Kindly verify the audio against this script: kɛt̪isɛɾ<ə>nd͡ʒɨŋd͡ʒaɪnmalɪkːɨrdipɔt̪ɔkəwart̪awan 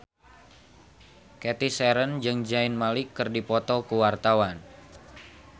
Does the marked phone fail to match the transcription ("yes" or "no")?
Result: no